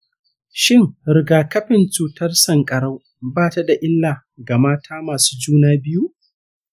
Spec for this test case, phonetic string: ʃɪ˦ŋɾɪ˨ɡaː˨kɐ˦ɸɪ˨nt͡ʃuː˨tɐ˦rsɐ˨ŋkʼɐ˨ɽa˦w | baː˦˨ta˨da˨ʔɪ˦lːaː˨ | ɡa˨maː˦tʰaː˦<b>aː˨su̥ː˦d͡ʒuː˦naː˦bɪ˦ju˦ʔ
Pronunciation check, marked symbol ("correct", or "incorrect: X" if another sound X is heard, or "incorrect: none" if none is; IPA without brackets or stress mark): incorrect: m